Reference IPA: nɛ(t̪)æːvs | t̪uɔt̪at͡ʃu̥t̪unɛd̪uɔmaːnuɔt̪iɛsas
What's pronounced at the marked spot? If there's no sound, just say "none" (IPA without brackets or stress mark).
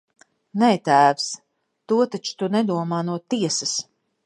t̪